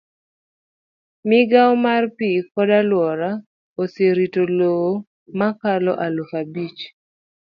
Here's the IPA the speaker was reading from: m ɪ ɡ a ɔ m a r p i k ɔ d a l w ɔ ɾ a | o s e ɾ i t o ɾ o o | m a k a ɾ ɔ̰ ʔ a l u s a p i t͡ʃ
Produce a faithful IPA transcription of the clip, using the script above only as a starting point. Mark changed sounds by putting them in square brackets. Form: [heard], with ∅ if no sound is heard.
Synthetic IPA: m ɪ ɡ a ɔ m a r p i k ɔ d a l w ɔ ɾ a | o s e ɾ i t o [l] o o | m a k a [l] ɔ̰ ʔ a l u [f] a [b] i t͡ʃ